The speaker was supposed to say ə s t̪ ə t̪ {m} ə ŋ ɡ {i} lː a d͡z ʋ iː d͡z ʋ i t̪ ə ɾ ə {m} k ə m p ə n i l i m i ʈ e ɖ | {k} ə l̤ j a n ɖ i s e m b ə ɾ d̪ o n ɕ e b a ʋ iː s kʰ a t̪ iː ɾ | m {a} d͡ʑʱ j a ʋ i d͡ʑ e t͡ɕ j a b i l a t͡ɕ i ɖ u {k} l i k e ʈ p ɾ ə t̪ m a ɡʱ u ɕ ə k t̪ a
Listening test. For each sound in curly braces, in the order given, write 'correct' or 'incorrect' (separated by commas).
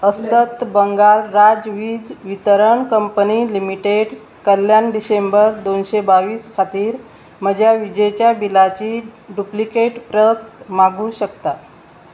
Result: incorrect, incorrect, incorrect, correct, incorrect, incorrect